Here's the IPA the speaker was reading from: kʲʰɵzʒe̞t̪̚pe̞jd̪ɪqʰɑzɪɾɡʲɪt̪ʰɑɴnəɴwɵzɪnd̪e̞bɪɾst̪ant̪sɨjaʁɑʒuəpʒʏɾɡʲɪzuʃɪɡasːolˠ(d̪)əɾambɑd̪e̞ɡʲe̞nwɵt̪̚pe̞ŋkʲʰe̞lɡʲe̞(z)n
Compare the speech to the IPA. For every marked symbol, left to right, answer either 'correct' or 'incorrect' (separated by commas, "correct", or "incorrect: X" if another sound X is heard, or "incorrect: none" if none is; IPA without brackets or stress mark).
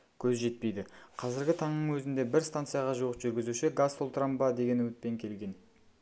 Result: incorrect: t̪, incorrect: none